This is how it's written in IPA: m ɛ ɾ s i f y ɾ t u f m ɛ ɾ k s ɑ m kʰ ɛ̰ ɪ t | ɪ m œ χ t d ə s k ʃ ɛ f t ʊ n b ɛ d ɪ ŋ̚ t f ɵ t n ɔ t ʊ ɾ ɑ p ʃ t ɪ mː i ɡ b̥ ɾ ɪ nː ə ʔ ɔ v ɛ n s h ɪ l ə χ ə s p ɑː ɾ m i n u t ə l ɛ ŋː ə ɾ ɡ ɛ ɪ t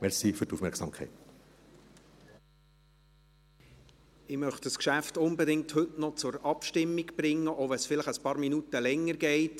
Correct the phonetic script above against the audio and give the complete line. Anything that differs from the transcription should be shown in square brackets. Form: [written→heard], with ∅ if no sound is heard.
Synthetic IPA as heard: m ɛ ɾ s i f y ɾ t u f m ɛ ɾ k s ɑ m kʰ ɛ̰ ɪ t | ɪ m œ χ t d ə s k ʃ [ɛ→æ] f t ʊ n b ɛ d ɪ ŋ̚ t [f→h] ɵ t n ɔ [t→t͡s] ʊ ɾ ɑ p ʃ t ɪ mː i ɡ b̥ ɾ ɪ [nː→ŋː] ə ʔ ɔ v ɛ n s [h→f] ɪ l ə χ ə s p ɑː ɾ m i n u t ə l ɛ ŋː ə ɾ ɡ ɛ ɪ t